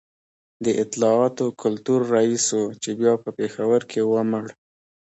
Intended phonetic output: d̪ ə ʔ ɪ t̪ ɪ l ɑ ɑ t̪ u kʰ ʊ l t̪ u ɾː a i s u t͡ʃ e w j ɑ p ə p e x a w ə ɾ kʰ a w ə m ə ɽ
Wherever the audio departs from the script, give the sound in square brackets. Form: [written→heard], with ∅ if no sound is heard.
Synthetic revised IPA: d̪ ə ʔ ɪ t̪ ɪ l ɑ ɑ t̪ [u→o] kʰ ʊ l t̪ u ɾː a i s [u→o] t͡ʃ e [w→b] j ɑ p ə p e x a w ə ɾ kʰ [a→e] w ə m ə ɽ